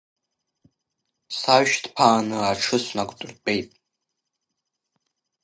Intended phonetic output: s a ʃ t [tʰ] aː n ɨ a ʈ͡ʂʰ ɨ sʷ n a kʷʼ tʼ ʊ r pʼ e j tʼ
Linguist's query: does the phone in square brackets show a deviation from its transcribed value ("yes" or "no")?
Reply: yes